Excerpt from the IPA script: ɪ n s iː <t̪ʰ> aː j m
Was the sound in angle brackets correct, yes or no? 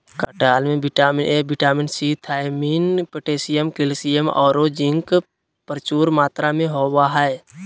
yes